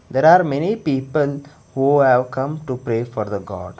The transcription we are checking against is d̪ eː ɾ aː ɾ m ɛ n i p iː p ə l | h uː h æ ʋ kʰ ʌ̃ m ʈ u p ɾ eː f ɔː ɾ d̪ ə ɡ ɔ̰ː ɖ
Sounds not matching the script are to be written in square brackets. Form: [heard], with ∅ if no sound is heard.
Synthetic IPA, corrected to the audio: d̪ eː ɾ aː ɾ m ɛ n i p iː p ə l | h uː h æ ʋ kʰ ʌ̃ m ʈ u p ɾ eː f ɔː ɾ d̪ ə ɡ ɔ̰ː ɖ